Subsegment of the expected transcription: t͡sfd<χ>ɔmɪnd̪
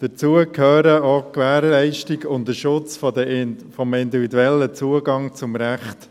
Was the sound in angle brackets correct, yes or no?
no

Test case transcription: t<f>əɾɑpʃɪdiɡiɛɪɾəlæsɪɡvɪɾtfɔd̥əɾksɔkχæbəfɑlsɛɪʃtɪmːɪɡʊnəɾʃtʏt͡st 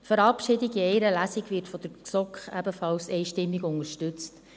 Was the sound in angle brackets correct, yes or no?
yes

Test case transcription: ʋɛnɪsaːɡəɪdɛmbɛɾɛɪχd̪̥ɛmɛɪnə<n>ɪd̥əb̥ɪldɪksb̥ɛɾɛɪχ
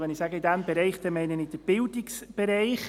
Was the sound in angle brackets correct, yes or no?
yes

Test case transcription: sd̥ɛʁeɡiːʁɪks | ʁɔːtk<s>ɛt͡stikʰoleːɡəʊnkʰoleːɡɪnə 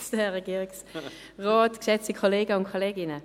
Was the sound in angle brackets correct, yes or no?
no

